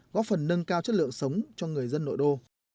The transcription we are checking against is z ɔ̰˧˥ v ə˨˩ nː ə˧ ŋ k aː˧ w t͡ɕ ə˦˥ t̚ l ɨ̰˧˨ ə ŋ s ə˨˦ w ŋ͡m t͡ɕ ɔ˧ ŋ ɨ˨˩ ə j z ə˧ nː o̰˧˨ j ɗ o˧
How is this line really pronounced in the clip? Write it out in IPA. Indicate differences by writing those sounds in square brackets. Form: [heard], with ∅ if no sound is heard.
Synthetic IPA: [ɣ] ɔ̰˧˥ [f] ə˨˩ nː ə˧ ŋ k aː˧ w t͡ɕ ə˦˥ t̚ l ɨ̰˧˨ ə ŋ s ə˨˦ w ŋ͡m t͡ɕ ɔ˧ ŋ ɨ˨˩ ə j z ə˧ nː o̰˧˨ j ɗ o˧